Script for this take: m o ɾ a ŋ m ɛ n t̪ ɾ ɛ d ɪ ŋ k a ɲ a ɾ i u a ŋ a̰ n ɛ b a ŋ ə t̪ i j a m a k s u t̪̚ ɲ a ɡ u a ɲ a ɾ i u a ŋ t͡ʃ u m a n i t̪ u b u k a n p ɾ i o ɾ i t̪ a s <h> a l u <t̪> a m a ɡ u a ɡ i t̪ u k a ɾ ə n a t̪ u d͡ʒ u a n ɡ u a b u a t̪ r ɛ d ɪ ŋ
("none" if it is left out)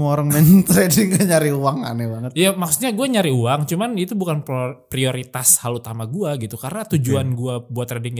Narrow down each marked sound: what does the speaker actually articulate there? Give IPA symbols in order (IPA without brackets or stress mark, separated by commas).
h, t̪